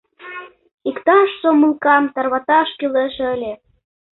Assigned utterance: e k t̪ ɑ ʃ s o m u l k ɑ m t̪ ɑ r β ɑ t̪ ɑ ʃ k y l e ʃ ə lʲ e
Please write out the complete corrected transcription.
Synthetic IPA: i k t̪ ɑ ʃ s o m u l k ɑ m t̪ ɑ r β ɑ t̪ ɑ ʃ k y l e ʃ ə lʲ e